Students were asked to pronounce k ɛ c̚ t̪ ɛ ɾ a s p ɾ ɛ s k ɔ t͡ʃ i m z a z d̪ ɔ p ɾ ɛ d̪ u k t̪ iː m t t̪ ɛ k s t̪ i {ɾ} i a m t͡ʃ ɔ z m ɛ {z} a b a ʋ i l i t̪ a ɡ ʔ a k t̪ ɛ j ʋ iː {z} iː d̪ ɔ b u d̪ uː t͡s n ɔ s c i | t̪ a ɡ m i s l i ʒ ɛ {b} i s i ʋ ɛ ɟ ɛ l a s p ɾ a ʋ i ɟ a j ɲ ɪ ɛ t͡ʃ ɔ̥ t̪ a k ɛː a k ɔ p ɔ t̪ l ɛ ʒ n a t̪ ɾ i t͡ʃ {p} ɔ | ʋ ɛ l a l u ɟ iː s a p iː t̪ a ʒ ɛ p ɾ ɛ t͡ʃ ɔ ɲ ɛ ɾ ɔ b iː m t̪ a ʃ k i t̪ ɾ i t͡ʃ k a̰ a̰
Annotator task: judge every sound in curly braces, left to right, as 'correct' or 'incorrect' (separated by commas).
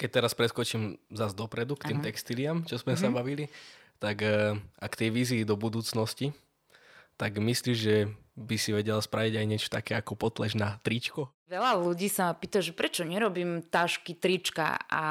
incorrect, incorrect, correct, correct, incorrect